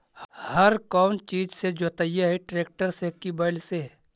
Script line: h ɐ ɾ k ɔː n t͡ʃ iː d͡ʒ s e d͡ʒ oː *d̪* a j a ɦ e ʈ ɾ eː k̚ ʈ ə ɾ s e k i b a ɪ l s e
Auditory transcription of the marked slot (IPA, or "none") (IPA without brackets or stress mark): t̪